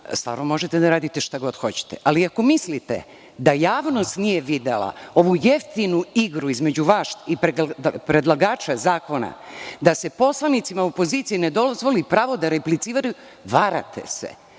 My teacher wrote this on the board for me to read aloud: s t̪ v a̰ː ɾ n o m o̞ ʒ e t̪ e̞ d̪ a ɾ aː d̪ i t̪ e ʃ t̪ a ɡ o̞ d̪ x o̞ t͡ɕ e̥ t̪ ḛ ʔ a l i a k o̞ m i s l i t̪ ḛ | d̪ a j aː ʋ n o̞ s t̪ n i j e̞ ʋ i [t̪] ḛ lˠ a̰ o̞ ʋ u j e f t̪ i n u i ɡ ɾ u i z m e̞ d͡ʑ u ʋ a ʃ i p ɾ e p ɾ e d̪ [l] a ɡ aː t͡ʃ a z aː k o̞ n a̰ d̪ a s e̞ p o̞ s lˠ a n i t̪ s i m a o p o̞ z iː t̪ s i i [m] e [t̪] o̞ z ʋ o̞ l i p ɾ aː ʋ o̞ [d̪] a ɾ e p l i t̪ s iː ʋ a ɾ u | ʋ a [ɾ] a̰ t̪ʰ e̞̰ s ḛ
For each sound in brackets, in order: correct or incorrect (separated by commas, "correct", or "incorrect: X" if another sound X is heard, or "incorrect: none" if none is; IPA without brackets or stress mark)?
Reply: incorrect: d̪, correct, incorrect: n, incorrect: d̪, correct, correct